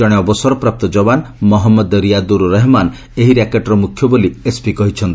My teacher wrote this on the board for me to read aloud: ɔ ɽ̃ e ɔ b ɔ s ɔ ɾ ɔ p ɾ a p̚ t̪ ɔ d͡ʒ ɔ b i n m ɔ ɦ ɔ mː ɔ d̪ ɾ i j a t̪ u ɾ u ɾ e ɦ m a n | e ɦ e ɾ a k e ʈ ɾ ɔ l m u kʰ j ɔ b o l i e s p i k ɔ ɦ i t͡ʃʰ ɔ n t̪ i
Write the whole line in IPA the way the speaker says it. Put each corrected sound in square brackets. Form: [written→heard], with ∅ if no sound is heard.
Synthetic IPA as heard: ɔ ɽ̃ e ɔ b ɔ s ɔ ɾ ɔ p ɾ a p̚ t̪ ɔ d͡ʒ ɔ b [i→a] n m ɔ ɦ ɔ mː ɔ d̪ ɾ i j a [t̪→d̪] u ɾ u ɾ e ɦ m a n | e ɦ [e→i] ɾ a k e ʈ ɾ ɔ [l→∅] m u kʰ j ɔ b o l i e s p i k ɔ ɦ i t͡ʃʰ ɔ n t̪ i